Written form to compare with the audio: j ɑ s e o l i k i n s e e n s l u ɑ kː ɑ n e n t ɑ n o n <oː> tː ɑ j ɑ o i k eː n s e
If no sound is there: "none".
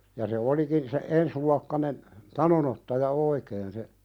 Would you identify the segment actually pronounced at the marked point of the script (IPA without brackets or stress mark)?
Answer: o